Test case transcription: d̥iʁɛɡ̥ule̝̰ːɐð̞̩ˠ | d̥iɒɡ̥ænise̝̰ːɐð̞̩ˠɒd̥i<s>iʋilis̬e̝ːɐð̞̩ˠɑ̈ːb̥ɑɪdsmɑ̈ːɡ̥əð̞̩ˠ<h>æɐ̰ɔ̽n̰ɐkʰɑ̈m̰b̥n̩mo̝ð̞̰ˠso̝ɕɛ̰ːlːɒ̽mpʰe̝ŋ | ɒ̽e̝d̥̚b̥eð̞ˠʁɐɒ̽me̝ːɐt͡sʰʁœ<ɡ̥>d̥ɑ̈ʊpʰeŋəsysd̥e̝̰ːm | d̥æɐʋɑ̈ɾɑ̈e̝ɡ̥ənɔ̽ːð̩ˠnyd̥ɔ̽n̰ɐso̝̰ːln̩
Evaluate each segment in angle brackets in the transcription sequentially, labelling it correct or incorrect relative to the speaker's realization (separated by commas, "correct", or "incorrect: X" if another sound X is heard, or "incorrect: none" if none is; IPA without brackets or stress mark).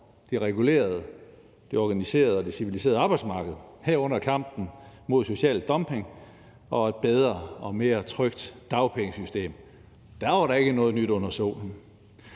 correct, correct, correct